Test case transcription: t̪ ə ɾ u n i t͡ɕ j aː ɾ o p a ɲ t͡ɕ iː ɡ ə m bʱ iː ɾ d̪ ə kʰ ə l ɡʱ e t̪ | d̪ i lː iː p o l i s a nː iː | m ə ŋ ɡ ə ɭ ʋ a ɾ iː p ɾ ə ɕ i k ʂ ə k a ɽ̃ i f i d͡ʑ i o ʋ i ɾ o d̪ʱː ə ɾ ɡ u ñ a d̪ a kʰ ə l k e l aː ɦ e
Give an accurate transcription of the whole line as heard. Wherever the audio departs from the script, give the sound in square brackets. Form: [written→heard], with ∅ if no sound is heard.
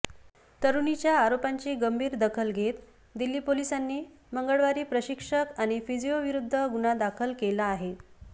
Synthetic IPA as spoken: t̪ ə ɾ u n i t͡ɕ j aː ɾ o p a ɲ t͡ɕ iː ɡ ə m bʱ iː ɾ d̪ ə kʰ ə l ɡʱ e t̪ | d̪ i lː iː p o l i s a nː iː | m ə ŋ ɡ ə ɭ ʋ a ɾ iː p ɾ ə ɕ i k ʂ ə k a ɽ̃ i f i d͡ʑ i o ʋ i ɾ [o→u] d̪ʱː ə [ɾ→∅] ɡ u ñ a d̪ a kʰ ə l k e l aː ɦ e